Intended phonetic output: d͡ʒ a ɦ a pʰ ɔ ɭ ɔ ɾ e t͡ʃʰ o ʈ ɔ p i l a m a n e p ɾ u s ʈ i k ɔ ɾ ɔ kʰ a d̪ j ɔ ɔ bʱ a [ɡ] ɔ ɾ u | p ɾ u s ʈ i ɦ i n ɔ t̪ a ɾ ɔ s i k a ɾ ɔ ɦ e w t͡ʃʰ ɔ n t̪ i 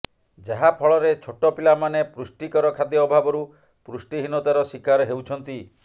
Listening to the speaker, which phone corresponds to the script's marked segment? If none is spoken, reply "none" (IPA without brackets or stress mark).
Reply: b